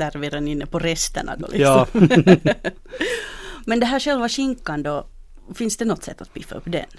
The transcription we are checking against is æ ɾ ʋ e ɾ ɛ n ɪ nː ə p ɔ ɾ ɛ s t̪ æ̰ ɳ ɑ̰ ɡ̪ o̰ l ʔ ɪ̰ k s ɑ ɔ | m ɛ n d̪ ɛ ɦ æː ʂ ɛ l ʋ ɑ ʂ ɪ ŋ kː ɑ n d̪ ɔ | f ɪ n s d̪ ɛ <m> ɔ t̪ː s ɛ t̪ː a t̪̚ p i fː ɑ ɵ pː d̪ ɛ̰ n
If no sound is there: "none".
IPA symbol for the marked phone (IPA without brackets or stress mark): n